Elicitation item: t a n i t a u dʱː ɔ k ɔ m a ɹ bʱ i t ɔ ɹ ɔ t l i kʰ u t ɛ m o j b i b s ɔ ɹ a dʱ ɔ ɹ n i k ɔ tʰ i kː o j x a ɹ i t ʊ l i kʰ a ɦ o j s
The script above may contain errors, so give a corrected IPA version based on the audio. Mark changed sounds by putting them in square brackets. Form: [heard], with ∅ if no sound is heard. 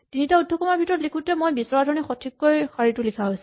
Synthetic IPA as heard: t [i] n i t a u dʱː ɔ k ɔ m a ɹ bʱ i t ɔ ɹ ɔ t l i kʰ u t ɛ m o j b i [∅] s ɔ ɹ a dʱ ɔ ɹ n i [x] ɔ tʰ i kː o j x a ɹ i t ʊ l i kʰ a ɦ o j s